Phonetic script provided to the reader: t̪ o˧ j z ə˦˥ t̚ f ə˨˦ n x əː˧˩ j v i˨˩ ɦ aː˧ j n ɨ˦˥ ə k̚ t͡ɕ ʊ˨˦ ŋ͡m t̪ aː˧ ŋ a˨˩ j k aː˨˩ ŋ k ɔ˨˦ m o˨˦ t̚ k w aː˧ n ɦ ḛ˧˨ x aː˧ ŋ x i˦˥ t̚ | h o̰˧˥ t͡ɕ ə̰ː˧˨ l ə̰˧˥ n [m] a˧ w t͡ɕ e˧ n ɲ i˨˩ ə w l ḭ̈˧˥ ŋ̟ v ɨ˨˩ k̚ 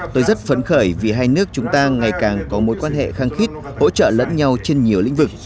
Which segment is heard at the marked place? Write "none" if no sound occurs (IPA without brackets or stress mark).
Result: ɲ